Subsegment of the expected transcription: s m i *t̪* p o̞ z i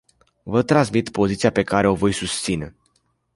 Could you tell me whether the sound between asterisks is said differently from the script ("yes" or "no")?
no